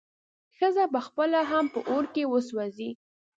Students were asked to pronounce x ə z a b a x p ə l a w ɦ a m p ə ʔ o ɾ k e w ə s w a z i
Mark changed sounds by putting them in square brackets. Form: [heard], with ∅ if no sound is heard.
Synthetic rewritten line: x ə z a b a x p ə l a [∅] ɦ a m p ə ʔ o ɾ k e w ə s w a z i